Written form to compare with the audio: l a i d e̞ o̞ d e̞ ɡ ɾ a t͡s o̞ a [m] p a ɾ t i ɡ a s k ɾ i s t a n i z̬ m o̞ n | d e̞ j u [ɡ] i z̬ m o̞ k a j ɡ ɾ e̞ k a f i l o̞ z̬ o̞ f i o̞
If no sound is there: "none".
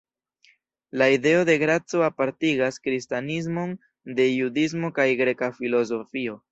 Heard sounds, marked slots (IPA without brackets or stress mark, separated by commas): none, d